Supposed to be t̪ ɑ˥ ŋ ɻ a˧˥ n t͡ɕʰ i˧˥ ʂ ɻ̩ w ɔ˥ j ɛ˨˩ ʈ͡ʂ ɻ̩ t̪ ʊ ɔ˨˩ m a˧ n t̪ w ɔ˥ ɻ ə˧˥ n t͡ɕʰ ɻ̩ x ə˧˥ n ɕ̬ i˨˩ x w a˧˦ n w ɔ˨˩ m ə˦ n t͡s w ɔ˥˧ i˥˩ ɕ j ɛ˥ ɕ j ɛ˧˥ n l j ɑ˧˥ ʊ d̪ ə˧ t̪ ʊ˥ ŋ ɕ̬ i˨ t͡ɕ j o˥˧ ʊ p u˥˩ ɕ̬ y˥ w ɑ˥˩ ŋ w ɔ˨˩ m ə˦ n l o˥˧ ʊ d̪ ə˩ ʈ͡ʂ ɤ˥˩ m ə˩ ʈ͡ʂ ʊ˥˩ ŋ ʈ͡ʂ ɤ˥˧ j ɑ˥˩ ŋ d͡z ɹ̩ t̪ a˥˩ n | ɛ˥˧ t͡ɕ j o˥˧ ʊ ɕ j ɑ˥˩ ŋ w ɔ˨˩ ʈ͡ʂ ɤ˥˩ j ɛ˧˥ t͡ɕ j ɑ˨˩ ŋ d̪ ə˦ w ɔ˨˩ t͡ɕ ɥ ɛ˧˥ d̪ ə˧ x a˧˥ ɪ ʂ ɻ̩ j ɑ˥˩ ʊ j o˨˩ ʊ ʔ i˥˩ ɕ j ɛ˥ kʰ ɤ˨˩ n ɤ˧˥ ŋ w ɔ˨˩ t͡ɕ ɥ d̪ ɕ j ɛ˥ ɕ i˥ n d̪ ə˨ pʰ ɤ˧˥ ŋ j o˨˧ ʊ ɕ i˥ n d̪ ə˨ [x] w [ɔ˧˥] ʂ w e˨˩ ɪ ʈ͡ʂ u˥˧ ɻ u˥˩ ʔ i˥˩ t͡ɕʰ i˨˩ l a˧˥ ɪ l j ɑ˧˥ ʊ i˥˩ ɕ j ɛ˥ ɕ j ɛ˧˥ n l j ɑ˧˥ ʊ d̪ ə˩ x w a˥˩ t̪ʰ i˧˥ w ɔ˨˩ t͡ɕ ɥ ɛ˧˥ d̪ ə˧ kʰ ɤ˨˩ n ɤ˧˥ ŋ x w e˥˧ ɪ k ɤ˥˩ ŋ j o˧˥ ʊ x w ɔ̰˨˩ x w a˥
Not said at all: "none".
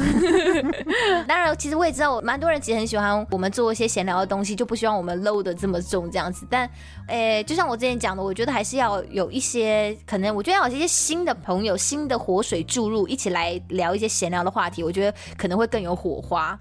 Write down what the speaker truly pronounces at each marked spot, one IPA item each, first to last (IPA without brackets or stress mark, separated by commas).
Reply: x, ɔ˧˥